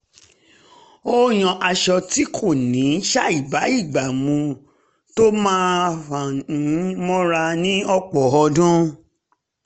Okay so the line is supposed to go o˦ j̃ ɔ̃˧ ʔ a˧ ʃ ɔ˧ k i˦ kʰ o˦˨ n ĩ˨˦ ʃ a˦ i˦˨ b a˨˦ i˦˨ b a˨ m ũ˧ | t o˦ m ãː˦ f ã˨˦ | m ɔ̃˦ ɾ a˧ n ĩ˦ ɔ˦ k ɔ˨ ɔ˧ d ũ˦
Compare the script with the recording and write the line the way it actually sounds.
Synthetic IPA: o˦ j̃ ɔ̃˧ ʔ a˧ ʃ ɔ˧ t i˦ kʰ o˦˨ n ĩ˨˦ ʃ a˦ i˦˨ b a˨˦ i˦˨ ɡ͡b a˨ m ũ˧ | t o˦ m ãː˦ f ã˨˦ | m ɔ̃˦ ɾ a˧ n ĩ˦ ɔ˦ k͡p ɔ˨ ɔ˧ d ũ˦